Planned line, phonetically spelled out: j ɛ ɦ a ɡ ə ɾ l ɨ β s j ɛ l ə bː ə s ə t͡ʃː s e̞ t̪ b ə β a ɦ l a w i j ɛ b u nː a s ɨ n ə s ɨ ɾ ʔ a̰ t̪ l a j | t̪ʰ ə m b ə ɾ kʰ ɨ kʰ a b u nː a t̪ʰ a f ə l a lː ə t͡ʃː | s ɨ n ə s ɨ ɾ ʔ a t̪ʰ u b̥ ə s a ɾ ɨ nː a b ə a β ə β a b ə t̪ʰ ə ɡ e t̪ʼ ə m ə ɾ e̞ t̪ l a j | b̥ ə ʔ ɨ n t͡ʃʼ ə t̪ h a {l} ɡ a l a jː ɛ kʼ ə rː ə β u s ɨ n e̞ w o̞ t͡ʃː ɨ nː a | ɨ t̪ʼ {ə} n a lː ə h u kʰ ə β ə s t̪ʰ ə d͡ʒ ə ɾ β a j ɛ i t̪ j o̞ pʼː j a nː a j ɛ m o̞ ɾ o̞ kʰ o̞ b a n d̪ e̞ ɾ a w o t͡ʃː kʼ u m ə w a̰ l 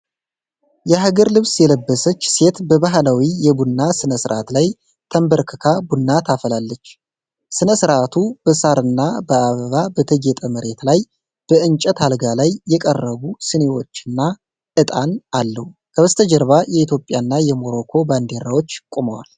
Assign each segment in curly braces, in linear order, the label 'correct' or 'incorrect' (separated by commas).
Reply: correct, incorrect